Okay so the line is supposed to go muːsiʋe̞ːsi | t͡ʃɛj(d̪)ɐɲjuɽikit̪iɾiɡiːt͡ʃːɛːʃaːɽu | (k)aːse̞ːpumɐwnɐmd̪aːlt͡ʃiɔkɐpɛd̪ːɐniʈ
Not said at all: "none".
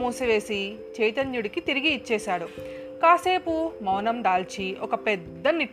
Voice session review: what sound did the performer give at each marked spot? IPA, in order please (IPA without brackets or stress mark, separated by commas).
t̪, k